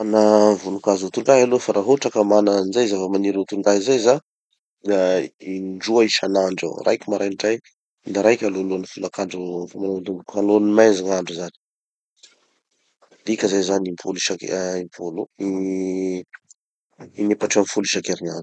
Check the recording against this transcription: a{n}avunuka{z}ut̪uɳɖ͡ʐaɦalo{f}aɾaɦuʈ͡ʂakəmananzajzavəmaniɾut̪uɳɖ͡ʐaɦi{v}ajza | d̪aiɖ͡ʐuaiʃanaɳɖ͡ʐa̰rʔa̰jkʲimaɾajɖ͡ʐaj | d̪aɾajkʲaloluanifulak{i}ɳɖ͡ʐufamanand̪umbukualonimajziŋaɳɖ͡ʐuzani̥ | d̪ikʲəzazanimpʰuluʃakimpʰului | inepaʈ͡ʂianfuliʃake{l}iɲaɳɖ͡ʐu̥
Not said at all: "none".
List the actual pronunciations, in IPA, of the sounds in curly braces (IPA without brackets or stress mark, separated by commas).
n, z, f, z, a, ɾ